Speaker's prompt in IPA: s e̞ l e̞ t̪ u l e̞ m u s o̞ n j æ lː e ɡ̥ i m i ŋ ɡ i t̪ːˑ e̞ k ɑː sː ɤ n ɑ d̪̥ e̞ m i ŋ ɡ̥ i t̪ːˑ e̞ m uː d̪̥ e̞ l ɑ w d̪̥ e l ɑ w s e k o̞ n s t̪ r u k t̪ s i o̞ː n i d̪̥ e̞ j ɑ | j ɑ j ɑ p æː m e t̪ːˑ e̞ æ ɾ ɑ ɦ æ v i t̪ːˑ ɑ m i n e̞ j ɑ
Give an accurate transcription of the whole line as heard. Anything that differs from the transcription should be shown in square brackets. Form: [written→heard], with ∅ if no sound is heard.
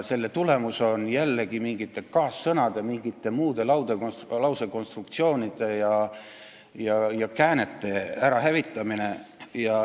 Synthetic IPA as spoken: s e̞ [l→lː] e̞ t̪ u l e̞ m u s o̞ n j æ lː e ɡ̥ i m i ŋ ɡ i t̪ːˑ e̞ k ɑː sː ɤ n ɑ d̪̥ e̞ m i ŋ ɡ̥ i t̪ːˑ e̞ m uː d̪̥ e̞ l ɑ w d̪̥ e l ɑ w s e k o̞ n s t̪ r u k t̪ s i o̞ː n i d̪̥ e̞ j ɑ | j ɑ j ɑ [p→k] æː [m→n] e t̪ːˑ e̞ æ ɾ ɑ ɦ æ v i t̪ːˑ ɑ m i n e̞ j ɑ

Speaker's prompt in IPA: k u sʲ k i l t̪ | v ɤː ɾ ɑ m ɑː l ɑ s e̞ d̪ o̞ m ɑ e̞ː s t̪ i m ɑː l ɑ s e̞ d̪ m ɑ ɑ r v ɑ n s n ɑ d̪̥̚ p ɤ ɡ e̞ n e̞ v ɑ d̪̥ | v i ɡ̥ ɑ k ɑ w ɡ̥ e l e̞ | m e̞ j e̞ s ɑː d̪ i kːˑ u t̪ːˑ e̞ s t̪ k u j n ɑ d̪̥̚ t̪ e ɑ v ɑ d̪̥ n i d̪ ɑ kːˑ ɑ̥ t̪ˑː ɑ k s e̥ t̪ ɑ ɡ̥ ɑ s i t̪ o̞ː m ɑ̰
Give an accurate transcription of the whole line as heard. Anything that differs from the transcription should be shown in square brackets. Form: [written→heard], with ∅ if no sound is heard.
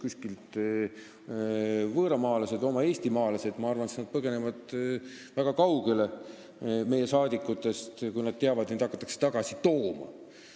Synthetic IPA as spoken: k u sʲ k i l t̪ | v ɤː ɾ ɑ m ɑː l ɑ s e̞ d̪ o̞ m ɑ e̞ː s t̪ i m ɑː l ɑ s e̞ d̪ m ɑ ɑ r v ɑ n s n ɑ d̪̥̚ p ɤ ɡ e̞ n e̞ v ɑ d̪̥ | v [i→æ] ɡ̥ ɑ k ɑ w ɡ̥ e l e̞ | m e̞ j e̞ s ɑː d̪ i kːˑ u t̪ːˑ e̞ s t̪ k u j n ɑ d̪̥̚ t̪ e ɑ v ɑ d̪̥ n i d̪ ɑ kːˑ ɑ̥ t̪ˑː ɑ k s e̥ t̪ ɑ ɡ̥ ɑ s i t̪ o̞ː m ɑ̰

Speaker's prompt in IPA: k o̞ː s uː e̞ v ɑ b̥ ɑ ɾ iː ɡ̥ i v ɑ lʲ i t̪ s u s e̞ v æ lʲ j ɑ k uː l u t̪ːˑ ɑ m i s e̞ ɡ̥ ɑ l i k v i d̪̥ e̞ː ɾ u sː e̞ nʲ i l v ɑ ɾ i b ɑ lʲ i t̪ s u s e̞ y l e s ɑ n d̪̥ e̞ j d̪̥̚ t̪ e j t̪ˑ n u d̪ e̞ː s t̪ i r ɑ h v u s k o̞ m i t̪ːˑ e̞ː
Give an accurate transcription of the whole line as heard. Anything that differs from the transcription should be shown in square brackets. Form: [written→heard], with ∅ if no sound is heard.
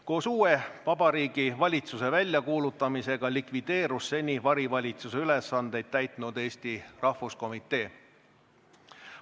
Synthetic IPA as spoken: k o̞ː s uː e̞ v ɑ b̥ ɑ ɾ iː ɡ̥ i v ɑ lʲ i t̪ s u s e̞ v æ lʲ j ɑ k uː l u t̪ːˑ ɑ m i s e̞ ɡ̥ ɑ l i k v i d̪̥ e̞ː ɾ u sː e̞ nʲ i [l→∅] v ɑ ɾ i [b→v] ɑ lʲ i t̪ s u s e̞ y l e s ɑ n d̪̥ e̞ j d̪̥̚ t̪ [e→æ] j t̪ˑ n u d̪ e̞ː s t̪ i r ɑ h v u s k o̞ m i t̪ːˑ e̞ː

